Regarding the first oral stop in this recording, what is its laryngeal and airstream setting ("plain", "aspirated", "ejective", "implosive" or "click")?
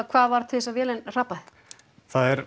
aspirated